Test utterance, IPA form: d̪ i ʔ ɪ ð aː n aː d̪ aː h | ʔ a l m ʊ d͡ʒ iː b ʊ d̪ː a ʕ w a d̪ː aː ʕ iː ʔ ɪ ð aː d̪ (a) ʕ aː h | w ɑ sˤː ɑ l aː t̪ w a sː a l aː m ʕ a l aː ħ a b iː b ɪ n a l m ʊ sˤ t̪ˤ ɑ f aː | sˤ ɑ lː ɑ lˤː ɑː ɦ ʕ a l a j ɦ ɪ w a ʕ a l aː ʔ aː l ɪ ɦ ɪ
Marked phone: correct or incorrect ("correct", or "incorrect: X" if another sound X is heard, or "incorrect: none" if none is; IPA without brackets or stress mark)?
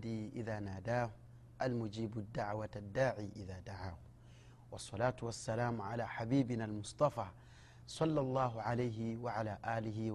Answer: correct